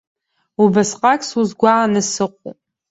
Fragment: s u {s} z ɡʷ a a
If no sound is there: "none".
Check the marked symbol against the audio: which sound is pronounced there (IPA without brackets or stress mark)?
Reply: none